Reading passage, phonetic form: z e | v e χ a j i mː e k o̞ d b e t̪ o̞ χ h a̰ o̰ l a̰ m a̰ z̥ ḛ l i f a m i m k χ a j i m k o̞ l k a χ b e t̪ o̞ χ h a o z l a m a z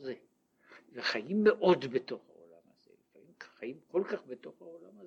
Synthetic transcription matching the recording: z e | v e χ a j i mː e ʔ o̞ d b e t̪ o̞ χ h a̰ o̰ l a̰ m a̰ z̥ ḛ l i f a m i m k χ a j i m k o̞ l k a χ b e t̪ o̞ χ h a o l a m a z